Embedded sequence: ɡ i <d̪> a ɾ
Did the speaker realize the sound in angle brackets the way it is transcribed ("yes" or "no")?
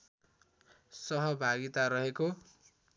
no